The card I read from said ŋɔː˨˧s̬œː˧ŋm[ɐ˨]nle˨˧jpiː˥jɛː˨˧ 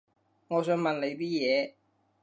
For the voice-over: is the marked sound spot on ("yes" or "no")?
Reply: yes